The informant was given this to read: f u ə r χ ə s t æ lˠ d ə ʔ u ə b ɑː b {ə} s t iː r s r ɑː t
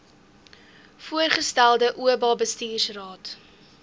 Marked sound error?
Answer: no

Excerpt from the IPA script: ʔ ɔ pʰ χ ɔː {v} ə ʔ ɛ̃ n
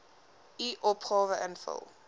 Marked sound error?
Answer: no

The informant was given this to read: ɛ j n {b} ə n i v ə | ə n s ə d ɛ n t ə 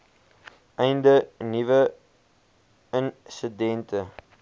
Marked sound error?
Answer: yes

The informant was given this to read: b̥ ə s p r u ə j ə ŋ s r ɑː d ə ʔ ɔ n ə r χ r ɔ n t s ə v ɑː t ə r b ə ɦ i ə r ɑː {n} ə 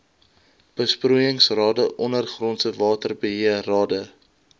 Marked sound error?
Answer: yes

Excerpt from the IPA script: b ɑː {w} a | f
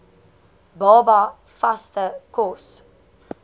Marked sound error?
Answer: yes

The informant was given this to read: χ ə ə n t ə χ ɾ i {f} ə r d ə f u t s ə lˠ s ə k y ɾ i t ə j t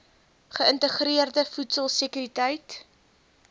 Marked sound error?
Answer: yes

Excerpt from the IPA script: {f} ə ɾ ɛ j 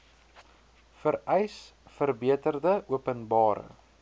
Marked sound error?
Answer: no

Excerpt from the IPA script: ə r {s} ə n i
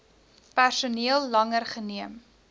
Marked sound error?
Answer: yes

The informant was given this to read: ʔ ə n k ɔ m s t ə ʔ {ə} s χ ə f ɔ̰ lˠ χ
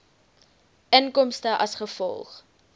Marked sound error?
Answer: yes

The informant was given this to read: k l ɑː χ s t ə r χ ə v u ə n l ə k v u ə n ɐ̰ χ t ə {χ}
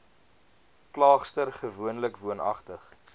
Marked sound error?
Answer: no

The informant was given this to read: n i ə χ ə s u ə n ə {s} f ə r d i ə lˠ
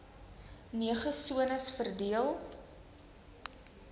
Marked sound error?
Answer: no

